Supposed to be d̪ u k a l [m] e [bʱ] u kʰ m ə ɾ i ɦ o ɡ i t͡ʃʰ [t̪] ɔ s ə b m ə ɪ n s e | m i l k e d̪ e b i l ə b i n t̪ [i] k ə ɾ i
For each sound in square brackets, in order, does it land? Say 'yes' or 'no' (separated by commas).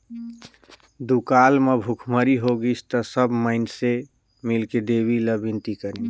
yes, yes, yes, yes